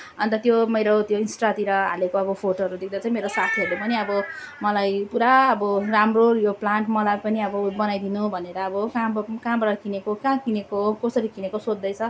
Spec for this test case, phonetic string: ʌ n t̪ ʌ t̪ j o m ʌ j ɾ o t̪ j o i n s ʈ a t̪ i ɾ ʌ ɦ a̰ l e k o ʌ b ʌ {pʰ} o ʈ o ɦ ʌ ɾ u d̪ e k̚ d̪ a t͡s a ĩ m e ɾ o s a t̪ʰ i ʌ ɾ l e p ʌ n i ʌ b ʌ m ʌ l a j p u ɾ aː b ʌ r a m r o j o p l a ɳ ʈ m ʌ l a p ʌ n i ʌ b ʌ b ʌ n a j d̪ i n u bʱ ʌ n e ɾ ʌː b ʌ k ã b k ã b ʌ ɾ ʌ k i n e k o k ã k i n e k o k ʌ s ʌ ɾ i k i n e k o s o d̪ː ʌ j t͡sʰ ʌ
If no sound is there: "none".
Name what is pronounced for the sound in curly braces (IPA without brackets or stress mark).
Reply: pʰ